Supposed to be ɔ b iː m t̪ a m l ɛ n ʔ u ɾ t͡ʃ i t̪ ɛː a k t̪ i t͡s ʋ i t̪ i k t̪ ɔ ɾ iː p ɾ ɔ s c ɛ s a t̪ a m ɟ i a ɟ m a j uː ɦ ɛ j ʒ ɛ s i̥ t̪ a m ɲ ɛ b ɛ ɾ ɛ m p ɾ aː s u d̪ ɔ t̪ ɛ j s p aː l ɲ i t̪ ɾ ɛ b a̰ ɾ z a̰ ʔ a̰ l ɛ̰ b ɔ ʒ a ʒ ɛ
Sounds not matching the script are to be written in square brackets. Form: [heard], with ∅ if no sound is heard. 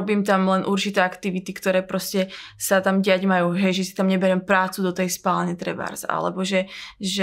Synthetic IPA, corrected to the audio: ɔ b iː m t̪ a m l ɛ n ʔ u ɾ t͡ʃ i t̪ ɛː a k t̪ i [∅] ʋ i t̪ i k t̪ ɔ ɾ [ɛː] p ɾ ɔ s c ɛ s a t̪ a m ɟ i a ɟ m a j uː ɦ ɛ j ʒ ɛ s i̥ t̪ a m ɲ ɛ b ɛ ɾ ɛ m p ɾ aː [t͡s] u d̪ ɔ t̪ ɛ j s p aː l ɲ [ɛ] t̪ ɾ ɛ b a̰ ɾ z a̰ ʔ a̰ l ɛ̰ b ɔ ʒ [ɛ] ʒ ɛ